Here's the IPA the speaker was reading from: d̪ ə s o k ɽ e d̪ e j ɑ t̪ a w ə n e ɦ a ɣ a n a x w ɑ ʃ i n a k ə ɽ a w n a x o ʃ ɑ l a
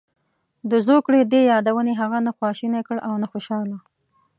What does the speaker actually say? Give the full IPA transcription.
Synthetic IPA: d̪ ə z o k ɽ e d̪ e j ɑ d̪ a w ə n e ɦ a ɣ a n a x w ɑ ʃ i n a k ə ɽ a w n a x o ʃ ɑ l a

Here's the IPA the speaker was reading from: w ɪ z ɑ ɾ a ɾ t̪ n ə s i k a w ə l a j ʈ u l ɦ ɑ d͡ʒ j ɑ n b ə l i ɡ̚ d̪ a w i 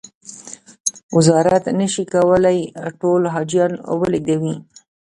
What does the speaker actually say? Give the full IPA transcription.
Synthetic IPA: w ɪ z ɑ ɾ a t̪ n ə ʃ i k a w ə l a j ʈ o l ɦ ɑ d͡ʒ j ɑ n w ə l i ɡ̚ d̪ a w i

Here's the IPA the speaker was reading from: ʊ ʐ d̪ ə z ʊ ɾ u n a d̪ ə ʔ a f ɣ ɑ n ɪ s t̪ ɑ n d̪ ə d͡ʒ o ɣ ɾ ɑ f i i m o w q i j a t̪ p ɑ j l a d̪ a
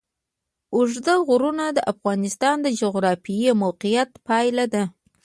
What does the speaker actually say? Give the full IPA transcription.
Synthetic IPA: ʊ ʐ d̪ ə ɣ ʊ ɾ u n a d̪ ə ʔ a f ɣ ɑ n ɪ s t̪ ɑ n d̪ ə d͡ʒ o ɣ ɾ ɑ f i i m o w q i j a t̪ p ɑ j l a d̪ a

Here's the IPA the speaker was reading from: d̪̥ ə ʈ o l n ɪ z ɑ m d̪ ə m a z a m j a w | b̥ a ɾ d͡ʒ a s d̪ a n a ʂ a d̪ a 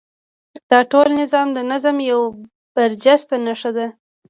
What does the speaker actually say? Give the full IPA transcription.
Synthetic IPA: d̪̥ ɑ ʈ o l n ɪ z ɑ m d̪ ə n a z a m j a w | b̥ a ɾ d͡ʒ a s t̪ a n a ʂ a d̪ a

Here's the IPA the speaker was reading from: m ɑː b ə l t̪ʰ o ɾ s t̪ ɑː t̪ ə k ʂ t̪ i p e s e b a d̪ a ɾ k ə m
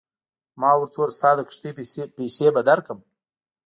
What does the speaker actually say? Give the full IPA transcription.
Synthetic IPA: m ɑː w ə ɾ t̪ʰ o ɾ s t̪ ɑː d̪ ə k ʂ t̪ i p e s e b a d̪ a ɾ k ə m

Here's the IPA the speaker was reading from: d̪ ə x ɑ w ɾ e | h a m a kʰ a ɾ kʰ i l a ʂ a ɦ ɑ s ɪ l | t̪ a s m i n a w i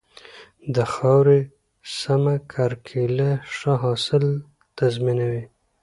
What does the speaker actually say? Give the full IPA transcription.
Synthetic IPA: d̪ ə x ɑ w ɾ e | s a m a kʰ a ɾ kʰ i l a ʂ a ɦ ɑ s ɪ l | t̪ a z m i n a w i

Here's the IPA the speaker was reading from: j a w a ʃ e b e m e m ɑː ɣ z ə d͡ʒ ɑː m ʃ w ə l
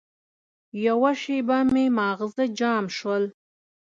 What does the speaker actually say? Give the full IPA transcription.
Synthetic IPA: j a w a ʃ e b a m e m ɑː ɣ z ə d͡ʒ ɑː m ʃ w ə l

